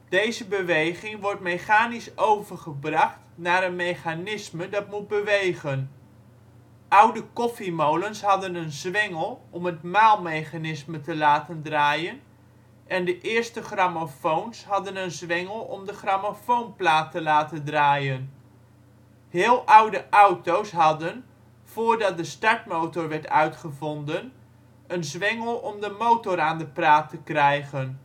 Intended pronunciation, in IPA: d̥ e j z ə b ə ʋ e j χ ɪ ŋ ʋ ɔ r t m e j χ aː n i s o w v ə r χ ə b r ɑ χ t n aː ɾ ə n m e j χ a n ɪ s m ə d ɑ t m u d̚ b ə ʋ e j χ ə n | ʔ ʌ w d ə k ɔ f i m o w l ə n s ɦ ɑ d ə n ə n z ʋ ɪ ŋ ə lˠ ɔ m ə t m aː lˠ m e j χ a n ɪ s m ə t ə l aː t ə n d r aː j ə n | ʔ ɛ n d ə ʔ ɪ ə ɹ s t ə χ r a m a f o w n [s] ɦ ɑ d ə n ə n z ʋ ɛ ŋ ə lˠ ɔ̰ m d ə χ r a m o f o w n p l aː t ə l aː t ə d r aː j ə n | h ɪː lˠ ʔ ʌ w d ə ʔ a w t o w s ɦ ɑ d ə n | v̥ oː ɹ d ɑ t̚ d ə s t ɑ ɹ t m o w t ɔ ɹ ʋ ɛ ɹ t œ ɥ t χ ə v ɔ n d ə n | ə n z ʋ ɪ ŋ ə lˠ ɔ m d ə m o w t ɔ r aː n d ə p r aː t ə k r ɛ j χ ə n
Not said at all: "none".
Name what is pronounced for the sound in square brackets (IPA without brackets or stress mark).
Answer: s